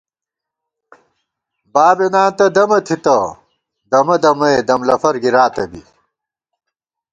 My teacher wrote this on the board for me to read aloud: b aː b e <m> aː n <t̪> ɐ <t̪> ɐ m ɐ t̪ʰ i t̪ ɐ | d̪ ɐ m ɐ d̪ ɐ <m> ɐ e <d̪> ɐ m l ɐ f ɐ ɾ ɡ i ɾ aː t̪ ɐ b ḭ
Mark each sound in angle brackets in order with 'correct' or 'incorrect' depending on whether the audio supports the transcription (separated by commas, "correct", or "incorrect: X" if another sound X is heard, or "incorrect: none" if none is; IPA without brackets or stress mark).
incorrect: n, correct, incorrect: d̪, correct, correct